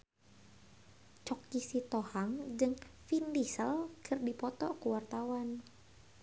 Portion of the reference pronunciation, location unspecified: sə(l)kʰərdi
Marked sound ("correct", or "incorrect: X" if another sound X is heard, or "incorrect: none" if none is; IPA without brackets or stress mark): correct